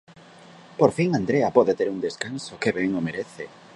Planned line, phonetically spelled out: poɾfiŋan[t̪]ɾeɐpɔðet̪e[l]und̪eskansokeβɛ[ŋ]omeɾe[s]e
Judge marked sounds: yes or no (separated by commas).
no, no, yes, no